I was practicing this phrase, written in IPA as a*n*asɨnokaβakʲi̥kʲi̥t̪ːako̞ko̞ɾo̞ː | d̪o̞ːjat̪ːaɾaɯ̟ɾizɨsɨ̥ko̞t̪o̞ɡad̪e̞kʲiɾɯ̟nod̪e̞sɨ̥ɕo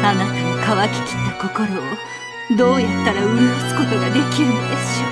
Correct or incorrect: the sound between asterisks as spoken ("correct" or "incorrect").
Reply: correct